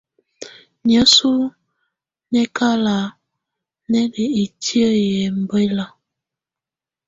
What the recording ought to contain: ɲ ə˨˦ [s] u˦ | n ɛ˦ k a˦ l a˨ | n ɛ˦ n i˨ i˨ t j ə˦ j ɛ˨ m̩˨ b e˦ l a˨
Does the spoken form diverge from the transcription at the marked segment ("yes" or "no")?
no